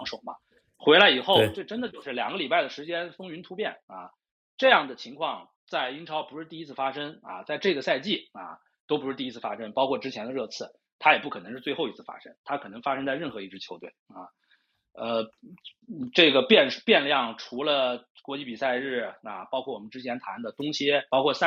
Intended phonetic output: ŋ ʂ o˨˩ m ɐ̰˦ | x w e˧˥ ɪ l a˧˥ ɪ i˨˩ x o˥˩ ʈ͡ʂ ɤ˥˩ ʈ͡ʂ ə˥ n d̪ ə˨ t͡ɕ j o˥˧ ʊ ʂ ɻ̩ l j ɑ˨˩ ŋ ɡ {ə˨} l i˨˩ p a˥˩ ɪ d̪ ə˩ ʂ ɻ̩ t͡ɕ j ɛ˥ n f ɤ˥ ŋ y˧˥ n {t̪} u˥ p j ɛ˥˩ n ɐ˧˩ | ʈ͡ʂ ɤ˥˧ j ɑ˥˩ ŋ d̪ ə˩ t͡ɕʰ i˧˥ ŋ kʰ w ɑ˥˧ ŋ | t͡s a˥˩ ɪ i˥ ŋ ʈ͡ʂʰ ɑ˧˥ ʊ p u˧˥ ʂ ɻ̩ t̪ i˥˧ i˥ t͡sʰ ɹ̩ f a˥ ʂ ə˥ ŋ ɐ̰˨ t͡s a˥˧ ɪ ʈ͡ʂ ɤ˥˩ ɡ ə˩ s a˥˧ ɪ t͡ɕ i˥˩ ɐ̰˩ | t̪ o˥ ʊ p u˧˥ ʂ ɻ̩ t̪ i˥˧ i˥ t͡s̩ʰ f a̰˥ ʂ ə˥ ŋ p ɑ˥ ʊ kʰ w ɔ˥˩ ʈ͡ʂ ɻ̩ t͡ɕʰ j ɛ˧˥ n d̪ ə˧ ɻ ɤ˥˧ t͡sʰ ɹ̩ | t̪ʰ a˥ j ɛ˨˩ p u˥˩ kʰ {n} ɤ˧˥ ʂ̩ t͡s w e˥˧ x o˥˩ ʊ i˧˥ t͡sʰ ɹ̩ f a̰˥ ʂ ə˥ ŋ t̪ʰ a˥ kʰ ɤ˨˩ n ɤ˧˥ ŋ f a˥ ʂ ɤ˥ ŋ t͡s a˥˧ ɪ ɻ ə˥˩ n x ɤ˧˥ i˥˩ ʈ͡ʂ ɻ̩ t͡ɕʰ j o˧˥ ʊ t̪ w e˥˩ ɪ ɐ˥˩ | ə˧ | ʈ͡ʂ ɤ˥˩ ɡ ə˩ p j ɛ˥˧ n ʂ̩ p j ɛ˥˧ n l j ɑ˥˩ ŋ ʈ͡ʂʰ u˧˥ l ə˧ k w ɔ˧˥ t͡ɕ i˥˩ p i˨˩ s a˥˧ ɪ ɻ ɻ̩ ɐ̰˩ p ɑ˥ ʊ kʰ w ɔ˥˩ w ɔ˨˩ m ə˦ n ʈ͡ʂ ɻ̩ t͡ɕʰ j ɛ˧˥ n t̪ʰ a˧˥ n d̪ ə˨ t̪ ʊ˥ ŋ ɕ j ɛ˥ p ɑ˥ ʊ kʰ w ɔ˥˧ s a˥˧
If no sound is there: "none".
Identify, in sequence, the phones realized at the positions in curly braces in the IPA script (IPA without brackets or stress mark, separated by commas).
ə˦, t̪ʰ, n